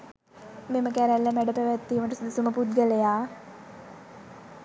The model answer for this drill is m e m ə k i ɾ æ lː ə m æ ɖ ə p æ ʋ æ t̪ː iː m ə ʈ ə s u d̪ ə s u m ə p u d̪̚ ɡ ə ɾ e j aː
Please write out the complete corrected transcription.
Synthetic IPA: m e m ə k æ ɾ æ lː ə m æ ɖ ə p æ ʋ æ t̪ː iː m ə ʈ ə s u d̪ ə s u m ə p u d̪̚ ɡ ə l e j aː